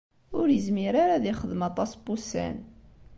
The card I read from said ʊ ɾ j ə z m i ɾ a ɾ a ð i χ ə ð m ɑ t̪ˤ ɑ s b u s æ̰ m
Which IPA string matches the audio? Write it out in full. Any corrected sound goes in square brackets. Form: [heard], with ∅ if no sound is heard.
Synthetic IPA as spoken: ʊ ɾ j ə z m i ɾ a ɾ a ð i χ ə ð m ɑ t̪ˤ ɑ s b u s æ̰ [n]